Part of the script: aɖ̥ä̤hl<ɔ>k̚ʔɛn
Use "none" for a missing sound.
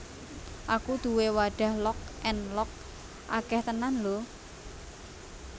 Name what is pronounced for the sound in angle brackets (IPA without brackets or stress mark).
ɔ